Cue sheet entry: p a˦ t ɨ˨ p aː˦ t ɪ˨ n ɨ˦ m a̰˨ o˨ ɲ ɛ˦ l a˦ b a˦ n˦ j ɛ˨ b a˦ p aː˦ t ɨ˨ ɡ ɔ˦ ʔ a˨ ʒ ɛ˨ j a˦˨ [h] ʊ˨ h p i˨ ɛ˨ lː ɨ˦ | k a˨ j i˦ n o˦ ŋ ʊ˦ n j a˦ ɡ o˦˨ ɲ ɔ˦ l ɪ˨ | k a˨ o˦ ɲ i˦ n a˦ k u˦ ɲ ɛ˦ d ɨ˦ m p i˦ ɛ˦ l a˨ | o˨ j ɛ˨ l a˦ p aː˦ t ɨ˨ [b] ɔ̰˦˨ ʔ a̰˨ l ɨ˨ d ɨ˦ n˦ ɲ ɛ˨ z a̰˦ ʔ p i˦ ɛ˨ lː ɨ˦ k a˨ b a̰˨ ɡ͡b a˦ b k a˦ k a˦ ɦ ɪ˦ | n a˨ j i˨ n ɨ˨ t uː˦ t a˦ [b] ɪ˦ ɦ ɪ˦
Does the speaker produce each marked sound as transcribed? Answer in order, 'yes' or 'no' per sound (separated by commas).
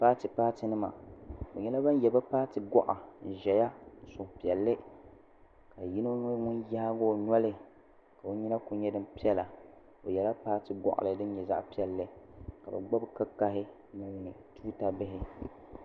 no, no, yes